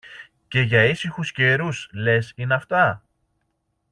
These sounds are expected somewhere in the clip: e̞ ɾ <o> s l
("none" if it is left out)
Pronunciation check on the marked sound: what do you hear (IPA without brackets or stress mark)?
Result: u